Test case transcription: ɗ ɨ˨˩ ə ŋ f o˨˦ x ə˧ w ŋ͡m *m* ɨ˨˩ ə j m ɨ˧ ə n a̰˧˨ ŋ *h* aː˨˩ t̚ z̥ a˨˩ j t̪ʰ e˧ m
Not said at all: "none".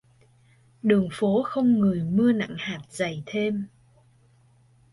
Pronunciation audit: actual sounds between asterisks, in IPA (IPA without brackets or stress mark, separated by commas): ŋ, h